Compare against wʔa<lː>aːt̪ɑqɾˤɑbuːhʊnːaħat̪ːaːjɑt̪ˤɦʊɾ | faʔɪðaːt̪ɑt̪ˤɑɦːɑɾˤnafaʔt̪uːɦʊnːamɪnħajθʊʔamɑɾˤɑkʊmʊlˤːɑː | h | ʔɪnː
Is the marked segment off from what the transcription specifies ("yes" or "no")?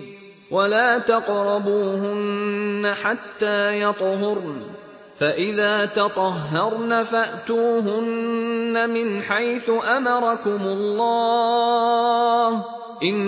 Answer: yes